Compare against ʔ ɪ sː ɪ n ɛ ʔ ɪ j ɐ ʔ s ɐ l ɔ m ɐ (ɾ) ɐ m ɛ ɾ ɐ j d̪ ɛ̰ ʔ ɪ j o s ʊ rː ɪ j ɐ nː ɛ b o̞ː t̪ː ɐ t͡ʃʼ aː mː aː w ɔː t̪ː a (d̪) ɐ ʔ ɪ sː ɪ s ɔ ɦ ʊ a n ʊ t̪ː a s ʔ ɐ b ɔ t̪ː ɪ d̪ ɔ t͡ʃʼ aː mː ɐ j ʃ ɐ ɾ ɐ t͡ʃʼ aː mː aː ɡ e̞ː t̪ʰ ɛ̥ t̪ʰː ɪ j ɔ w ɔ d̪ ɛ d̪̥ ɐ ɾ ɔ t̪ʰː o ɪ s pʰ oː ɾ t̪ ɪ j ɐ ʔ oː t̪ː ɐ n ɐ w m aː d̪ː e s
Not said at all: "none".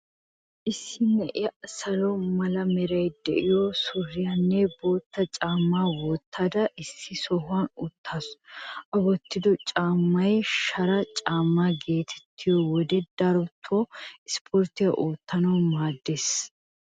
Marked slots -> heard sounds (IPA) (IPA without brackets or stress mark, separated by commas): l, d̪